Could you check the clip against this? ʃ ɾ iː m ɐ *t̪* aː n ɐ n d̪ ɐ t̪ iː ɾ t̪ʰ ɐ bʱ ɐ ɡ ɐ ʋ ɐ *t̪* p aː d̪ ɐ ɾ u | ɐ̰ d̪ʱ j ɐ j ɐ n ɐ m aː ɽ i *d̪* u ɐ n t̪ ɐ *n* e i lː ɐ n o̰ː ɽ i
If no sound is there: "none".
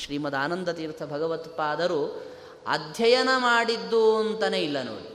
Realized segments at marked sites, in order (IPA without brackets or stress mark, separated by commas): d̪, t̪, d̪ː, n